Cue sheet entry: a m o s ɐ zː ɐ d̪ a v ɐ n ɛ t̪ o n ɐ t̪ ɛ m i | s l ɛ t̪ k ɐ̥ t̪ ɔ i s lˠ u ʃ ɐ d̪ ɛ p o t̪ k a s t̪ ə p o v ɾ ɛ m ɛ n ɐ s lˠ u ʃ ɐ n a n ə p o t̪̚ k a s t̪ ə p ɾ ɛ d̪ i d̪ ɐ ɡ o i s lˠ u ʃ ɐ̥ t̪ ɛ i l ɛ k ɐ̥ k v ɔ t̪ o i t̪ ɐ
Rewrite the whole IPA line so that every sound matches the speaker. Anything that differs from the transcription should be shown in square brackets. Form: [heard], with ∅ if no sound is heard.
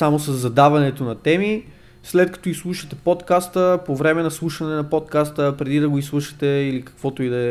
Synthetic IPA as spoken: a m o s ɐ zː ɐ d̪ a v ɐ n ɛ t̪ o n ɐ t̪ ɛ m i | s l ɛ t̪ k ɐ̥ t̪ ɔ i s lˠ u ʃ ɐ [t̪] ɛ p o t̪ k a s t̪ ə p o v ɾ ɛ m ɛ n ɐ s lˠ u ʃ ɐ n [ɛ] n [ɐ] p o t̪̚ k a s t̪ ə p ɾ ɛ d̪ i d̪ ɐ ɡ o i s lˠ u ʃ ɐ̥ t̪ ɛ i l [i] k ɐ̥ k v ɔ t̪ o i [d̪] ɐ